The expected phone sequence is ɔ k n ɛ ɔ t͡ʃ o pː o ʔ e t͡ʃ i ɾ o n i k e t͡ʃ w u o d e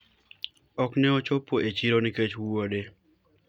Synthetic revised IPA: ɔ k n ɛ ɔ t͡ʃ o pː o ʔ e t͡ʃ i ɾ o n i k e t͡ʃ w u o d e